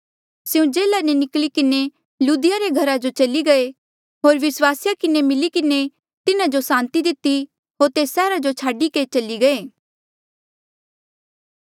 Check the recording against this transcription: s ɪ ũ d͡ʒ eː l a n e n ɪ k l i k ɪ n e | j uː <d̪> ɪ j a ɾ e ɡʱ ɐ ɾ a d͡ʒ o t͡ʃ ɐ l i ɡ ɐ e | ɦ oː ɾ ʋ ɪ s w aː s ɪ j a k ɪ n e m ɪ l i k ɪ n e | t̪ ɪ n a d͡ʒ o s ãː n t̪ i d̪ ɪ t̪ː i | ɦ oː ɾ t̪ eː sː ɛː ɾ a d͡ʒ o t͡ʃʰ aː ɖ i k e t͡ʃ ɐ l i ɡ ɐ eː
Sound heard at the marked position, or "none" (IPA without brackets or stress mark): d̪